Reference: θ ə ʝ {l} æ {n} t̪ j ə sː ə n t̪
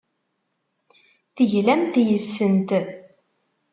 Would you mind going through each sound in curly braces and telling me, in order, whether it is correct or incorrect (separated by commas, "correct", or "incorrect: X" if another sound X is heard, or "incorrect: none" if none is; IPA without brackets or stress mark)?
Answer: correct, incorrect: m